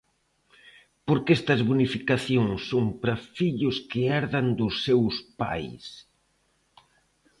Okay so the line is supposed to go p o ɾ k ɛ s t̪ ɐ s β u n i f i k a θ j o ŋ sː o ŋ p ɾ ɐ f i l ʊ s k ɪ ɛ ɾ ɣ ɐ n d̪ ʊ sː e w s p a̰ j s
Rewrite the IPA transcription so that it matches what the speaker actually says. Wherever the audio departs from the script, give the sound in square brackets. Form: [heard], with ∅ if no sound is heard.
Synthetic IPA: p o ɾ k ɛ s t̪ ɐ [z] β u n i f i k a θ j o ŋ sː o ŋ p ɾ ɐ f i [ʎ] ʊ s k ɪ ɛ ɾ [ð] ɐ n d̪ ʊ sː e w s p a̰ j s